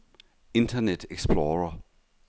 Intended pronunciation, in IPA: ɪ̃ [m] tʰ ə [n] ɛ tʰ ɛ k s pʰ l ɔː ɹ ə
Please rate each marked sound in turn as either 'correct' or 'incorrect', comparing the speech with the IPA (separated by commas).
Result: incorrect, correct